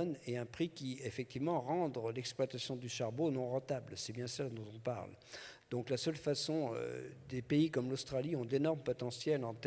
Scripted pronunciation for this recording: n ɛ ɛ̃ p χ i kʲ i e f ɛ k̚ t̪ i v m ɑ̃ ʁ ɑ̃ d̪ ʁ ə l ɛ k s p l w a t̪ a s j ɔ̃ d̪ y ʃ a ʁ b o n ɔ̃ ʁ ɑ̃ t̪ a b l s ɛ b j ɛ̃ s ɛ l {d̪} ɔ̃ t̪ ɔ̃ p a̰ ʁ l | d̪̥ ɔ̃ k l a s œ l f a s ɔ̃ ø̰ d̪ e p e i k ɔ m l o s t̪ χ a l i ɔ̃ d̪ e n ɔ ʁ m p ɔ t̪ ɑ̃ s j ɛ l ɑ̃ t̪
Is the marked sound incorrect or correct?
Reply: correct